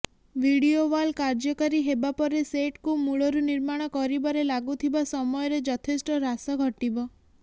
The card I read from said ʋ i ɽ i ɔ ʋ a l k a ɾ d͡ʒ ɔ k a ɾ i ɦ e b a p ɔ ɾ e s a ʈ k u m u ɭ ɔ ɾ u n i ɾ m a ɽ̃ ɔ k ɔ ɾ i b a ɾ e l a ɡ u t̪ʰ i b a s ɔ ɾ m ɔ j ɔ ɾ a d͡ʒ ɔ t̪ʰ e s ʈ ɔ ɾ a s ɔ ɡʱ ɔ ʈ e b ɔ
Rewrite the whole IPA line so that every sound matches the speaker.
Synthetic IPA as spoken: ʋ i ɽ i o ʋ a l k a ɾ d͡ʒ ɔ k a ɾ i ɦ e b a p ɔ ɾ e s e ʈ k u m u ɭ ɔ ɾ u n i ɾ m a ɽ̃ ɔ k ɔ ɾ i b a ɾ e l a ɡ u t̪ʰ i b a s ɔ m ɔ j ɔ ɾ e d͡ʒ ɔ t̪ʰ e s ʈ ɔ ɾ a s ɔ ɡʱ ɔ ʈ i b ɔ

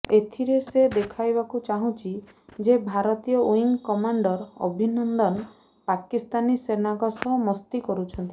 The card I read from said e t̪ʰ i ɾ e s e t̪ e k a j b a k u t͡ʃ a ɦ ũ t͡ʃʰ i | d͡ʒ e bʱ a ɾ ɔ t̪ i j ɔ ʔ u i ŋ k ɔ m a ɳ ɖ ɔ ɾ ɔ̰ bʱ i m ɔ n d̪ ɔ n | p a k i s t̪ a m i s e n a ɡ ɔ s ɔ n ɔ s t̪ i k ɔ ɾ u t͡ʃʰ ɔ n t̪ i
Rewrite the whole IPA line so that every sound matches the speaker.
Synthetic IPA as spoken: e t̪ʰ i ɾ e s e d̪ e kʰ a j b a k u t͡ʃ a ɦ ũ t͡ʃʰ i | d͡ʒ e bʱ a ɾ ɔ t̪ i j ɔ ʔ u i ŋ k ɔ m a ɳ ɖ ɔ ɾ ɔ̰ bʱ i n ɔ n d̪ ɔ n | p a k i s t̪ a n i s e n a ɡ ɔ s ɔ m ɔ s t̪ i k ɔ ɾ u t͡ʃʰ ɔ n t̪ i

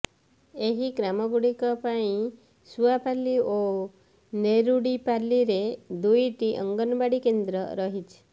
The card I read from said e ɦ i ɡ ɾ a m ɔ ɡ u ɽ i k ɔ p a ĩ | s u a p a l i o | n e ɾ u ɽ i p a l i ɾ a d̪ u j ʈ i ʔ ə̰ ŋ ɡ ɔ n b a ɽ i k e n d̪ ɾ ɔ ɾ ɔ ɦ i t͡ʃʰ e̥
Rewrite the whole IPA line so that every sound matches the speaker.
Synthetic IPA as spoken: e ɦ i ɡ ɾ a m ɔ ɡ u ɽ i k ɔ p a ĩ | s u a p a l i o | n e ɾ u ɽ i p a l i ɾ e d̪ u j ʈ i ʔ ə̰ ŋ ɡ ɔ n b a ɽ i k e n d̪ ɾ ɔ ɾ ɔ ɦ i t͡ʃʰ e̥

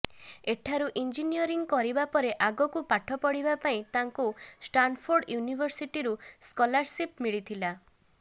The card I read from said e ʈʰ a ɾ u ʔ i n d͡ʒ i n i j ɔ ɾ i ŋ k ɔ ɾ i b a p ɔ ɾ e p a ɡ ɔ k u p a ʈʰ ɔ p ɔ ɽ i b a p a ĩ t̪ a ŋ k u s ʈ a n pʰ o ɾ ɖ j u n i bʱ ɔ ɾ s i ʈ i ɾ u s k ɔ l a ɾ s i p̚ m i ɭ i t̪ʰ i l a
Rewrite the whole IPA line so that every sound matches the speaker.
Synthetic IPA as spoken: e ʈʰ a ɾ u ʔ i n d͡ʒ i n i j ɔ ɾ i ŋ k ɔ ɾ i b a p ɔ ɾ e ʔ a ɡ ɔ k u p a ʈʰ ɔ p ɔ ɽ i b a p a ĩ t̪ a ŋ k u s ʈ a n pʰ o ɾ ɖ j u n i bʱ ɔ ɾ s i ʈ i ɾ u s k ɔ l a ɾ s i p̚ m i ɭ i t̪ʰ i l a

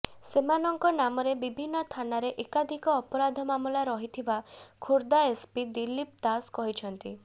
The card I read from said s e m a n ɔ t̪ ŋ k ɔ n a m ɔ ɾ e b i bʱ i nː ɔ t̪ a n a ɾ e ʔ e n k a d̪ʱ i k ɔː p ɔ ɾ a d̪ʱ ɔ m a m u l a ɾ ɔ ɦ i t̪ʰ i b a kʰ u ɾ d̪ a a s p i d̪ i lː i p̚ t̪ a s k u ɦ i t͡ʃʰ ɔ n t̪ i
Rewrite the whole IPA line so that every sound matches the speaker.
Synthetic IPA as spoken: s e m a n ɔ ŋ k ɔ n a m ɔ ɾ e b i bʱ i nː ɔ t̪ʰ a n a ɾ e ʔ e k a d̪ʱ i k ɔː p ɔ ɾ a d̪ʱ ɔ m a m u l a ɾ ɔ ɦ i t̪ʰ i b a kʰ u ɾ d̪ a e s p i d̪ i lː i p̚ t̪ a s k ɔ ɦ i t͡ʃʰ ɔ n t̪ i

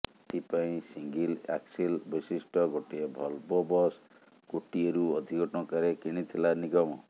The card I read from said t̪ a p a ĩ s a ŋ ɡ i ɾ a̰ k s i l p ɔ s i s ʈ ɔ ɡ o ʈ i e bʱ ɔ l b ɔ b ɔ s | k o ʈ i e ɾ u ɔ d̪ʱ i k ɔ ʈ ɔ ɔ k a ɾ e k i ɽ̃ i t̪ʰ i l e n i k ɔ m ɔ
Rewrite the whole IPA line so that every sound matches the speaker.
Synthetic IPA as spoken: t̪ i p a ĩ s i ŋ ɡ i l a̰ k s i l b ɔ s i s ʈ ɔ ɡ o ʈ i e bʱ ɔ l b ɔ b ɔ s | k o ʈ i e ɾ u ɔ d̪ʱ i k ɔ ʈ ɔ ɔ k a ɾ e k i ɽ̃ i t̪ʰ i l a n i ɡ ɔ m ɔ

